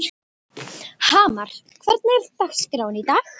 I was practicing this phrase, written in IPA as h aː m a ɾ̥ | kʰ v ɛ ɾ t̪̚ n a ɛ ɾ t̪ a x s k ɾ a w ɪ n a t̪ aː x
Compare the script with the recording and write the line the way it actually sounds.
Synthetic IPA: h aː m a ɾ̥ | kʰ v ɛ ɾ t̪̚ n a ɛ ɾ t̪ a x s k ɾ a w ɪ n i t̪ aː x